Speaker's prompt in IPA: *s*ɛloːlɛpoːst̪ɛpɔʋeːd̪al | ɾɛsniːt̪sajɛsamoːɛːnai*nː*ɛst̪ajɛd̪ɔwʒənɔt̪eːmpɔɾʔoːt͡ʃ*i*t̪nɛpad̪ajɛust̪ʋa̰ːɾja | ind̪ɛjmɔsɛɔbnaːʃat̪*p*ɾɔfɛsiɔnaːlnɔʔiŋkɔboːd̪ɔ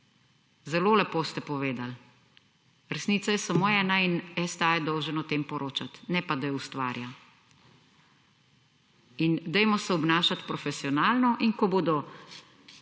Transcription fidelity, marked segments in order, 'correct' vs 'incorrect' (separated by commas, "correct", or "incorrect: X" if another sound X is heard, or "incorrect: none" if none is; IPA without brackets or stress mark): incorrect: z, incorrect: n, incorrect: a, correct